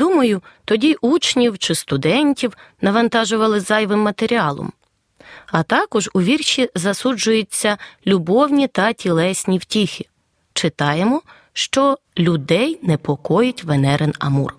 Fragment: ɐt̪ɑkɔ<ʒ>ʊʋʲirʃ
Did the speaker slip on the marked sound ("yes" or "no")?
no